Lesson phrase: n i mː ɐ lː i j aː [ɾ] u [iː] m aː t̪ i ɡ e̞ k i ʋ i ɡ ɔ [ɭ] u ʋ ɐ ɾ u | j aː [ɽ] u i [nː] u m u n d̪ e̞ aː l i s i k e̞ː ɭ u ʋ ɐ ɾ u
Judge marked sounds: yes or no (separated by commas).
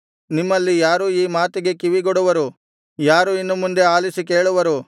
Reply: yes, yes, no, no, yes